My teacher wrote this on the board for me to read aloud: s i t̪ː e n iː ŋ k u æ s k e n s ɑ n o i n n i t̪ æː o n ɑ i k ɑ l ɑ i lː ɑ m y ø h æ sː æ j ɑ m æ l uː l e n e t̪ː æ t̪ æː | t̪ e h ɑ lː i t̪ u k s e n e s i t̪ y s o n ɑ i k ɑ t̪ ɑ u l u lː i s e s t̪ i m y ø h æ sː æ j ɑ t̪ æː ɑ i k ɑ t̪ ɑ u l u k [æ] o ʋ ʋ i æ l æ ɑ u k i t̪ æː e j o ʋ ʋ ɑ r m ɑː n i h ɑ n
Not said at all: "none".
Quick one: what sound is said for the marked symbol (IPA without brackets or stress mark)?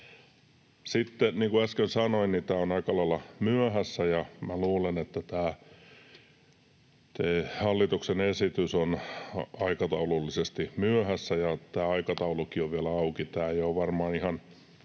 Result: i